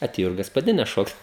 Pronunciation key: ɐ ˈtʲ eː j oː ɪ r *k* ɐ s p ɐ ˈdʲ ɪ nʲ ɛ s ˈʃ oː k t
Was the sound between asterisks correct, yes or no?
no